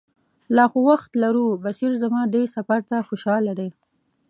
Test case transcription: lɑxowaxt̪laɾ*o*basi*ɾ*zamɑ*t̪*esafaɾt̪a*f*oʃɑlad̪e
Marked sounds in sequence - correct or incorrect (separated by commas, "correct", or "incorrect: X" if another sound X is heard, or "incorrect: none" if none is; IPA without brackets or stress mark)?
incorrect: u, correct, incorrect: d̪, incorrect: x